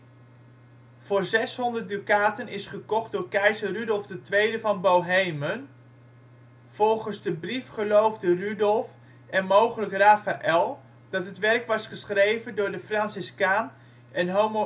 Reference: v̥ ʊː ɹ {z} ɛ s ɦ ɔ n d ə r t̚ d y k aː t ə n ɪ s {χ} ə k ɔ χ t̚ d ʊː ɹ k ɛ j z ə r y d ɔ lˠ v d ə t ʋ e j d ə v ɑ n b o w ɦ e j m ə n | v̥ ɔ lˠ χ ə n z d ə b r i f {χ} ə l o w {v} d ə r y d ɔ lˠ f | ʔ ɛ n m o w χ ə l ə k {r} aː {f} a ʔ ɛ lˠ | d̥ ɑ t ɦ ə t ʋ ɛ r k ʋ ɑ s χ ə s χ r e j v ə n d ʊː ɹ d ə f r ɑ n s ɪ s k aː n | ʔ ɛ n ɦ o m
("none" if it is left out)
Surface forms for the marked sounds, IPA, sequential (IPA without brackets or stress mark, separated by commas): z, χ, χ, v, r, f